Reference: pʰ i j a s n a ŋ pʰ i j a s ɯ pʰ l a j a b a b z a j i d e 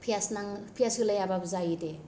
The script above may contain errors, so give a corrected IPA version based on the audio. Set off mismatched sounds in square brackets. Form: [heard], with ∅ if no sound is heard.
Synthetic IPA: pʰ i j a s n a ŋ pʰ i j a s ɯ [∅] l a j a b a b z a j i d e